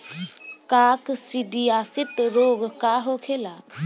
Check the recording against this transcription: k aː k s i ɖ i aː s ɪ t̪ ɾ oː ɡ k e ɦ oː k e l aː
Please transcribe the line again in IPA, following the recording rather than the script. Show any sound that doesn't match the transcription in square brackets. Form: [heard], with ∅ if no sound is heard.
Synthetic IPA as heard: k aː k s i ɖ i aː s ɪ t̪ ɾ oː ɡ k [a] ɦ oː [kʰ] e l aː